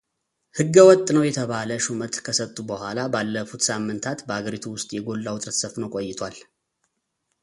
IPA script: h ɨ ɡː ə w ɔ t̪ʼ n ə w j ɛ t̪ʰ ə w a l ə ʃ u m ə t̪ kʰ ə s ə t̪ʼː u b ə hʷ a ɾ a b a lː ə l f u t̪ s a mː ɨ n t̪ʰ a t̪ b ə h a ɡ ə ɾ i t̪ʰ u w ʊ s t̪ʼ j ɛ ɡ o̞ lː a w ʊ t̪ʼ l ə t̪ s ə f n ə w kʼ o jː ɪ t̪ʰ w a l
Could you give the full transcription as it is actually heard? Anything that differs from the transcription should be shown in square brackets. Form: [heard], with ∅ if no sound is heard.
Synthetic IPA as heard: h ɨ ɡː ə w ɔ t̪ʼ n ə w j ɛ t̪ʰ ə [β] a l ə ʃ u m ə t̪ kʰ ə s ə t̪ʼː u b ə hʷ a [l] a b a lː ə [∅] f u t̪ s a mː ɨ n t̪ʰ a t̪ b ə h a ɡ ə ɾ i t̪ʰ u w ʊ s t̪ʼ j ɛ ɡ o̞ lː a w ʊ t̪ʼ [ɾ] ə t̪ s ə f n ə w kʼ o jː ɪ t̪ʰ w a l